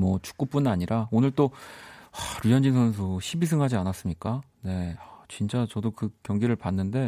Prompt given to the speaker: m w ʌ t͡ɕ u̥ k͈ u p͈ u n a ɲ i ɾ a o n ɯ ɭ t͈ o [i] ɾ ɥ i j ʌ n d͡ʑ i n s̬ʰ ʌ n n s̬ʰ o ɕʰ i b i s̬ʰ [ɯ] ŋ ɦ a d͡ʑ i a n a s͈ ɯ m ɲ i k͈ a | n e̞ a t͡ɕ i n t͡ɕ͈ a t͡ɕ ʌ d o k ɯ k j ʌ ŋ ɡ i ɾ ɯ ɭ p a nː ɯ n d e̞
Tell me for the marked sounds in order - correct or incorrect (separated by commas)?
incorrect, correct